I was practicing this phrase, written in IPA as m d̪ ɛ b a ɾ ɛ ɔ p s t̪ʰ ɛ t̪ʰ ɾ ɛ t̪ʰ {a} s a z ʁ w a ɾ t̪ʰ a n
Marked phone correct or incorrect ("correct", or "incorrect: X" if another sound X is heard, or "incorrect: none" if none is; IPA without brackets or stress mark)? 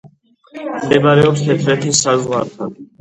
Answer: incorrect: i